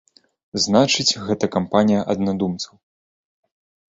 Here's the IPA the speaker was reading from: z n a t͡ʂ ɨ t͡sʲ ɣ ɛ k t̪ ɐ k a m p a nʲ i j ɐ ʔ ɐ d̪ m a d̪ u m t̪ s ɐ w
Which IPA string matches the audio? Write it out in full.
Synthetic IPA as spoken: z n a t͡ʂ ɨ t͡sʲ ɣ ɛ t̪ ɐ k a m p a nʲ i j ɐ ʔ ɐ d̪ n a d̪ u m t̪ s ɐ w